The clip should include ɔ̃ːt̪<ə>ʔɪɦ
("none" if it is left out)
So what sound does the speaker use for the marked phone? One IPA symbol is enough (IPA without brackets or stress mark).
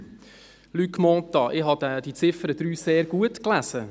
ɑ